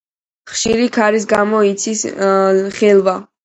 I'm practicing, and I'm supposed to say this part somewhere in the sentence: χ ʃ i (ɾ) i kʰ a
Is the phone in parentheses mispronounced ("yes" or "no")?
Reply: no